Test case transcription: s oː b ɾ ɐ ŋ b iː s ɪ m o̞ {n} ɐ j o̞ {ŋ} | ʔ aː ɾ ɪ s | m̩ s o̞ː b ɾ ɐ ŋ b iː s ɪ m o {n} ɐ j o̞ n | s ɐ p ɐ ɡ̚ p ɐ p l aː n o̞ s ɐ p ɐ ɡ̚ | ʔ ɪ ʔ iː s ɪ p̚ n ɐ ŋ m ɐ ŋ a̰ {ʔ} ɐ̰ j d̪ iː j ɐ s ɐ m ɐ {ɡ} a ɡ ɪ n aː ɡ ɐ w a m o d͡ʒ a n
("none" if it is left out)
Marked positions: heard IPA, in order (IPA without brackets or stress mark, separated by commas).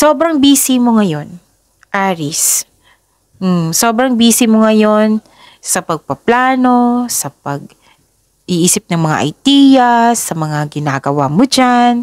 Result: ŋ, n, ŋ, ʔ, ŋ